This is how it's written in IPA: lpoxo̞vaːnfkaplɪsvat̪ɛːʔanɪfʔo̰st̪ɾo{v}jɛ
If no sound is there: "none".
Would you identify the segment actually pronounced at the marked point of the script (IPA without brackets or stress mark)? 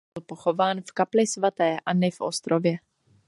v